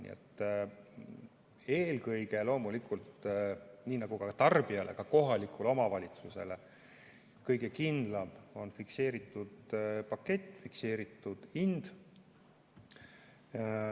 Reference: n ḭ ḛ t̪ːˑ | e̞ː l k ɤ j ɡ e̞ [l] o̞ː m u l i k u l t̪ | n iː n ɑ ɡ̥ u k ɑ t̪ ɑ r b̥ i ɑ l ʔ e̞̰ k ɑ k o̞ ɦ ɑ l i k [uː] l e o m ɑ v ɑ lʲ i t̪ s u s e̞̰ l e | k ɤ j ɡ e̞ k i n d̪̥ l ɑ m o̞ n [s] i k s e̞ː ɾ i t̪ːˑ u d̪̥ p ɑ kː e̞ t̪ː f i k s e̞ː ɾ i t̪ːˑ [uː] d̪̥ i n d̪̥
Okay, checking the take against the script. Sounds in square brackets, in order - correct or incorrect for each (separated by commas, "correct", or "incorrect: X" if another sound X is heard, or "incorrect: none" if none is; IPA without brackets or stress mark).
correct, incorrect: u, incorrect: f, incorrect: u